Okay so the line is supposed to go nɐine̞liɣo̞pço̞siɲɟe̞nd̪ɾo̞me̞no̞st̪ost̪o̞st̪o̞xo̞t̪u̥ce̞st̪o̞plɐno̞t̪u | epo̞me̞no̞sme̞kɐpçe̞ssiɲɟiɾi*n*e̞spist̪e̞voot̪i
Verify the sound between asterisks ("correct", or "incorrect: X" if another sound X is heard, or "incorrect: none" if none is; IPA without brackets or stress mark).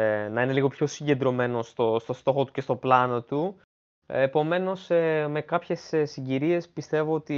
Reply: incorrect: none